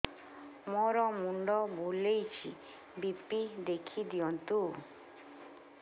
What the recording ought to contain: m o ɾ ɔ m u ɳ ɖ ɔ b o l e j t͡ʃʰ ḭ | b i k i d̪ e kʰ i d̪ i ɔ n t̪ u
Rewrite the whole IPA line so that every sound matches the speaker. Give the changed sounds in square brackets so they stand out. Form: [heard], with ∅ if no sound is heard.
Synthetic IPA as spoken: m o ɾ ɔ m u ɳ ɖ ɔ b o l e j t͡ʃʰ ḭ | b i [p] i d̪ e kʰ i d̪ i ɔ n t̪ u